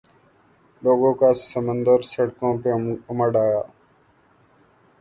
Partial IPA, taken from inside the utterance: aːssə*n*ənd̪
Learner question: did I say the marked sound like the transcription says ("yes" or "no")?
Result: no